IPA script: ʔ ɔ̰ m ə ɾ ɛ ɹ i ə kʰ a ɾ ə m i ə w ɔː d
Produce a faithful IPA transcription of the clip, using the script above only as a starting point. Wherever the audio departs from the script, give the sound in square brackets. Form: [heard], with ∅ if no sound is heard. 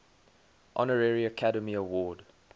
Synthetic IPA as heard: ʔ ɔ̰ [n] ə [ɹ] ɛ ɹ i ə kʰ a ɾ ə m i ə w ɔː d